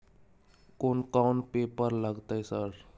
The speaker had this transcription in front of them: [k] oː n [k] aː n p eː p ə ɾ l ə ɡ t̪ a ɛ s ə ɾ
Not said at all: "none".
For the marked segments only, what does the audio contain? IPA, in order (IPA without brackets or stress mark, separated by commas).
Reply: k, k